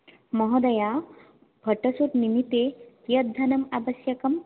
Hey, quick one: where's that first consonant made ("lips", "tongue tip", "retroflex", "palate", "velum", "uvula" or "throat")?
lips